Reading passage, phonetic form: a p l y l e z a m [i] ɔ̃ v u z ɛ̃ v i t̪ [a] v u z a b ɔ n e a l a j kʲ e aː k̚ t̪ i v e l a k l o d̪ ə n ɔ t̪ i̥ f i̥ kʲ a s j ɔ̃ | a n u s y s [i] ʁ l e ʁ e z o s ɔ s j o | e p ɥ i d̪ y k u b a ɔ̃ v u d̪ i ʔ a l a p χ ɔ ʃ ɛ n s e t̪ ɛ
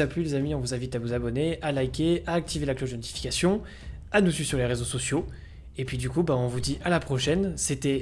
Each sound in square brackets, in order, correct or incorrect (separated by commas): correct, correct, incorrect